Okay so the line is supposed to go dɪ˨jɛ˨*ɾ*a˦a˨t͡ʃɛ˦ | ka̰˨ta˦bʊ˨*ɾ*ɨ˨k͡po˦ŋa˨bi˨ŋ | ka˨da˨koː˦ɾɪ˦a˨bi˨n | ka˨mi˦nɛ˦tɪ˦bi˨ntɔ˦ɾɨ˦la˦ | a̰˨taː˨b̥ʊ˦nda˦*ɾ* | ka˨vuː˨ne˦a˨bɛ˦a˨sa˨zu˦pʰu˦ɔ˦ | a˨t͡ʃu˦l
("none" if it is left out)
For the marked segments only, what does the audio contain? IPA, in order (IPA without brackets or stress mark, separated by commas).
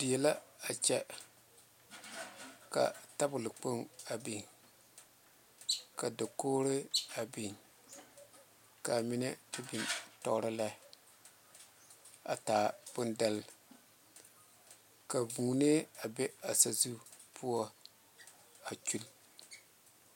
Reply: l, l, l